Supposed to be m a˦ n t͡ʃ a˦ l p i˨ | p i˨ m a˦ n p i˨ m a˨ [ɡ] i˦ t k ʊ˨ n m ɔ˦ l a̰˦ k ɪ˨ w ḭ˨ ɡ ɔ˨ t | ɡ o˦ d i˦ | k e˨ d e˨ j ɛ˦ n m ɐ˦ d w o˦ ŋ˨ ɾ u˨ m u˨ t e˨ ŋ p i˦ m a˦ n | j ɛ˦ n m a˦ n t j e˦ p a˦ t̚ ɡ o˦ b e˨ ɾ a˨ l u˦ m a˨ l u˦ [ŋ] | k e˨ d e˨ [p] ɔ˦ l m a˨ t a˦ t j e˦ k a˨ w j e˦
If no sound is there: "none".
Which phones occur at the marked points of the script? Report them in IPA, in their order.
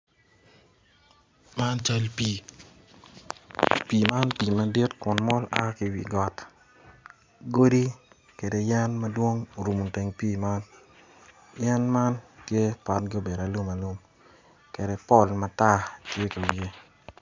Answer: d, m, p

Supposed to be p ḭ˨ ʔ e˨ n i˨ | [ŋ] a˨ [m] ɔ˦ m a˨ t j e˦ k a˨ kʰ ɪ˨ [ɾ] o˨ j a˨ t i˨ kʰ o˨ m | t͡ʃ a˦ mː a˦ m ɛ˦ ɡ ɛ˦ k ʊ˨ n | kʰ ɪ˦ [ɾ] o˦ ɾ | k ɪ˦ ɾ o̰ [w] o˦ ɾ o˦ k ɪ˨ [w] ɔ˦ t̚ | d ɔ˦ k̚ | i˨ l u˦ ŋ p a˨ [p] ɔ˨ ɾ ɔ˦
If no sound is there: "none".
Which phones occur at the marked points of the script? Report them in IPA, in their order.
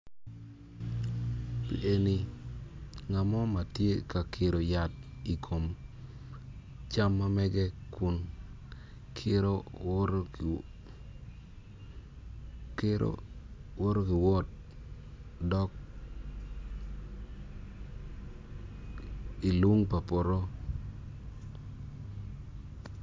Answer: ŋ, m, ɾ, ɾ, w, w, p

